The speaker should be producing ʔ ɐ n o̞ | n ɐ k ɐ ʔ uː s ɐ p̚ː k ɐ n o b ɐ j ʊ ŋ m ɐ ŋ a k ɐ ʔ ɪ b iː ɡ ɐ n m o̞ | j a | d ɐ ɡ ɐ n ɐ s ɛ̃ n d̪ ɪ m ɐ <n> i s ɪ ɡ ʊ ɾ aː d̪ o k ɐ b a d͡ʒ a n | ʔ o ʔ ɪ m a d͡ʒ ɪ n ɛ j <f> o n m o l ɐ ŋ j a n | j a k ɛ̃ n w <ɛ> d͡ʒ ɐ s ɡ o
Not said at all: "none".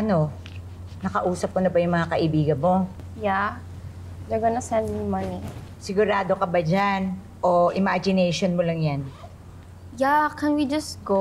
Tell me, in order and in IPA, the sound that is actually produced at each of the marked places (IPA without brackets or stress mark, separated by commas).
n, ʃ, i